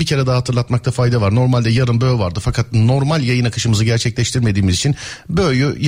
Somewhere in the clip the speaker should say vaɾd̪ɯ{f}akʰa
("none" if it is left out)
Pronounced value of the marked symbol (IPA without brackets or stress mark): f